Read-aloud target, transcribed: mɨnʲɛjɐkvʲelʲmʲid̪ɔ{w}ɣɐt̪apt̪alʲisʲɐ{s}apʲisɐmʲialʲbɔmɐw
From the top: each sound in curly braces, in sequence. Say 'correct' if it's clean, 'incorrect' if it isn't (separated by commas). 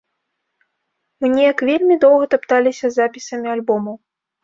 correct, incorrect